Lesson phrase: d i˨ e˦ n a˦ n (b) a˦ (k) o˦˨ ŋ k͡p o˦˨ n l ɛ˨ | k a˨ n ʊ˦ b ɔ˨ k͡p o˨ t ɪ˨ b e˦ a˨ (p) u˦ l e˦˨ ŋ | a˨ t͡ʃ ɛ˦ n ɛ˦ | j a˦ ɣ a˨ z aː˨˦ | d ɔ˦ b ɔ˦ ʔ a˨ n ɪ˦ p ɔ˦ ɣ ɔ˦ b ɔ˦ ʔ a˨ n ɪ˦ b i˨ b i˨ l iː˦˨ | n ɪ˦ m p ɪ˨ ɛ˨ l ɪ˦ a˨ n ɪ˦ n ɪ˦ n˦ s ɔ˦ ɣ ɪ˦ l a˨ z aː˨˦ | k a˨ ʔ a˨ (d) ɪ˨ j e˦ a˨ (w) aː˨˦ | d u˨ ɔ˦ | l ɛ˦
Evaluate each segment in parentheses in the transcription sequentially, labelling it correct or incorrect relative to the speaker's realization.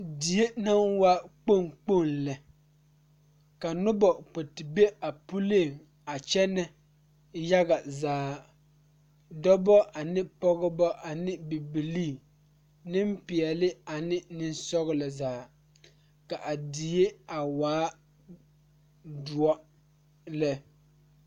incorrect: w, incorrect: k͡p, correct, correct, correct

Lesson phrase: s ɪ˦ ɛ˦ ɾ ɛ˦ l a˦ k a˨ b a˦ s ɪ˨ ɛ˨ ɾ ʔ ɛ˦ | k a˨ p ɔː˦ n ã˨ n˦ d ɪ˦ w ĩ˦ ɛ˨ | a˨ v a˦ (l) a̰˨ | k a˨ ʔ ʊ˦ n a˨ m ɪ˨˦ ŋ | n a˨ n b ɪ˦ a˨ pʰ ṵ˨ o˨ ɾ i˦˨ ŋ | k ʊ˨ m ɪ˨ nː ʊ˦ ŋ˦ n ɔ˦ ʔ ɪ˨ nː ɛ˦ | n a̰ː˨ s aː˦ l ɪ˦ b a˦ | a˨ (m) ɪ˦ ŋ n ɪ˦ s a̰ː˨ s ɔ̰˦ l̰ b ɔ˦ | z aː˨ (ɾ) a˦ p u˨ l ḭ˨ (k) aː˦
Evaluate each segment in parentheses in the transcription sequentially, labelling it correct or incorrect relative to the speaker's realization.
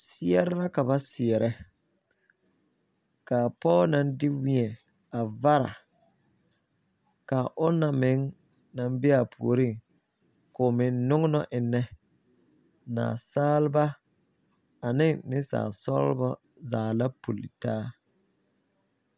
incorrect: ɾ, incorrect: n, incorrect: l, incorrect: t

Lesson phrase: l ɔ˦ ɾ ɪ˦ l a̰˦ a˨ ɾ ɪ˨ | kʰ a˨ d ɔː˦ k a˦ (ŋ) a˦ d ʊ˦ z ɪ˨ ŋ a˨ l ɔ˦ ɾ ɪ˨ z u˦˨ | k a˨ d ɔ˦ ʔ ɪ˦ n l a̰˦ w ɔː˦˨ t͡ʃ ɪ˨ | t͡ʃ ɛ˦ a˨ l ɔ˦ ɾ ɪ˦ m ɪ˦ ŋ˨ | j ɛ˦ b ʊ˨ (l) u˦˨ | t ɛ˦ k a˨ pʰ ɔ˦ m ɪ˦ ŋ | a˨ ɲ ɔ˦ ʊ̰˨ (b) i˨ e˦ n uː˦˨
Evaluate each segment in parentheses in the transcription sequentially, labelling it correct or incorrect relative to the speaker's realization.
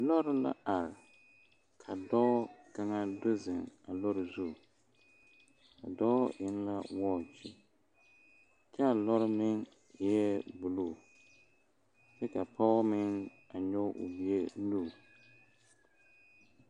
correct, correct, correct

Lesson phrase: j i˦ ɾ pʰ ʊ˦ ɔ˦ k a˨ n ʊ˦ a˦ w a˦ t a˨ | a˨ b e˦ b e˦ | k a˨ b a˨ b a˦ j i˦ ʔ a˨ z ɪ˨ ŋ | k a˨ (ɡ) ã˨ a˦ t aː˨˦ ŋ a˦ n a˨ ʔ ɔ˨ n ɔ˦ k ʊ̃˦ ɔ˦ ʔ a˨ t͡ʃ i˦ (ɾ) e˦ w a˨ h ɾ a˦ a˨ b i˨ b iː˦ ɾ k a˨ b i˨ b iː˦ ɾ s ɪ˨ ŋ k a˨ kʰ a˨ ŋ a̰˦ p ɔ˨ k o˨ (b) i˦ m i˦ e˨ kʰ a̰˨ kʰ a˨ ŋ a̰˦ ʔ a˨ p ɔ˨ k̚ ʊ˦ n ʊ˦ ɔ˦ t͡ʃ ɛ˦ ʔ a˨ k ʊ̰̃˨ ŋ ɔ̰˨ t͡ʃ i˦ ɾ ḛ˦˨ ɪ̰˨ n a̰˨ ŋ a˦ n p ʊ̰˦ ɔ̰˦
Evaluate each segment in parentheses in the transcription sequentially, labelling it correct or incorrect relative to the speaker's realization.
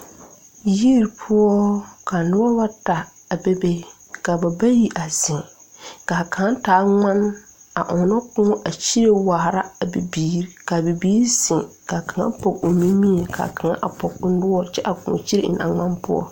incorrect: k, correct, incorrect: m

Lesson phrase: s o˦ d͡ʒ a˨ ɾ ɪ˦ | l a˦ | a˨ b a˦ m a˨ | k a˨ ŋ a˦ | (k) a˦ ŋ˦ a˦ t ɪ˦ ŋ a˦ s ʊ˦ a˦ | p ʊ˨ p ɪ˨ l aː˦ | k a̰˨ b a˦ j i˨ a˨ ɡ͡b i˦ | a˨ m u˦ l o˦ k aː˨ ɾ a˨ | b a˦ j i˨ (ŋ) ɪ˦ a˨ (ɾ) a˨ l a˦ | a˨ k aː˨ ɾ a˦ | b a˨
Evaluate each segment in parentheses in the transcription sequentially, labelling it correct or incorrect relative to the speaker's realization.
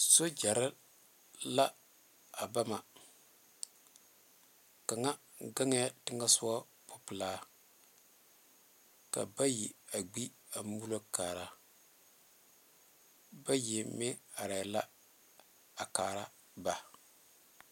incorrect: ɡ, incorrect: m, correct

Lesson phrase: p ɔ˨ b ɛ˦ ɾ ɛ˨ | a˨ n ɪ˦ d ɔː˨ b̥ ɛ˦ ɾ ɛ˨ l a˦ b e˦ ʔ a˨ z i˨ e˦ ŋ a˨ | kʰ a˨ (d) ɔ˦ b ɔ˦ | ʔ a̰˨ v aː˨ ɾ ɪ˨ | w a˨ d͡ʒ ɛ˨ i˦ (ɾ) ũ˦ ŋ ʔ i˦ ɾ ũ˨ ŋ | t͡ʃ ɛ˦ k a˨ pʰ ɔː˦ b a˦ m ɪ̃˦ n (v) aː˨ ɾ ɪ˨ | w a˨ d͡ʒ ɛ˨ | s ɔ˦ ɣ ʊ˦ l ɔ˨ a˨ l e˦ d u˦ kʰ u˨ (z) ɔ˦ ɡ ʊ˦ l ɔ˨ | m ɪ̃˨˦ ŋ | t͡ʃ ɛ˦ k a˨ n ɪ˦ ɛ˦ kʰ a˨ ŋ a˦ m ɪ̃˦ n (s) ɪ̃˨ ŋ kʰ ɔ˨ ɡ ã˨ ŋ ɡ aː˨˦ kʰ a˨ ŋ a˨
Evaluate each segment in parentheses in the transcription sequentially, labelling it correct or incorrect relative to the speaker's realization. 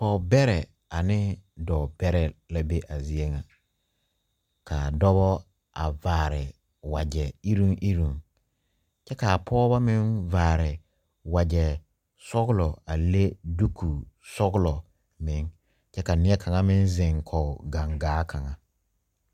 correct, correct, correct, incorrect: s, incorrect: z

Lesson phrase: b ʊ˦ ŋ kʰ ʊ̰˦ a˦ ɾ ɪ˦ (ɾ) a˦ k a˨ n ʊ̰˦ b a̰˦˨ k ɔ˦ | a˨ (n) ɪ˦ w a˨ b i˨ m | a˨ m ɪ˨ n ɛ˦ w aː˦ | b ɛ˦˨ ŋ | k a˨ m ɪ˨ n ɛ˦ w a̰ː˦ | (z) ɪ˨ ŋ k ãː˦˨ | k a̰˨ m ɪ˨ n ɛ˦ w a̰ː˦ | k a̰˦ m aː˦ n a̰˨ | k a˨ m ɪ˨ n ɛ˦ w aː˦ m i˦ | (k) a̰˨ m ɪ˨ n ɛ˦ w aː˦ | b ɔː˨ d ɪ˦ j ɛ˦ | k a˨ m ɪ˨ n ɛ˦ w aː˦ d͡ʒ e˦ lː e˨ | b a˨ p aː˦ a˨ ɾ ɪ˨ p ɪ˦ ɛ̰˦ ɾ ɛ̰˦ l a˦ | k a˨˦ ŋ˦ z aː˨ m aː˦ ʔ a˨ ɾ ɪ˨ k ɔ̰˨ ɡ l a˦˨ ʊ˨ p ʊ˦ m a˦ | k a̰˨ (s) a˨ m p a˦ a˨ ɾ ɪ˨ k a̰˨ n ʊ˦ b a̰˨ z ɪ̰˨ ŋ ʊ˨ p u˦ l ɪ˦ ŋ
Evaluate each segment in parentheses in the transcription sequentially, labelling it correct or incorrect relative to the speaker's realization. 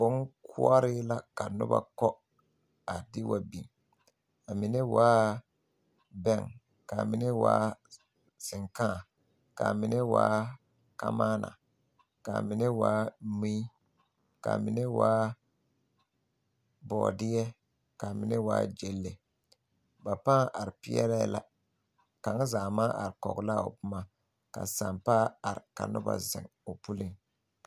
incorrect: l, incorrect: d, incorrect: s, correct, correct

